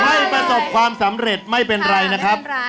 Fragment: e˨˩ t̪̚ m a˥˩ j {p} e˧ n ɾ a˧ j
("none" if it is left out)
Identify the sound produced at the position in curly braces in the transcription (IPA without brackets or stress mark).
p